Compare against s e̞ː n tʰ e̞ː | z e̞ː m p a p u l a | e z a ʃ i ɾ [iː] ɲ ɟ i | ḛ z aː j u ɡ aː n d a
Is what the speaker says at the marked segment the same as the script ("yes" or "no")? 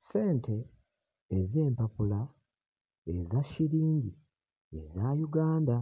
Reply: yes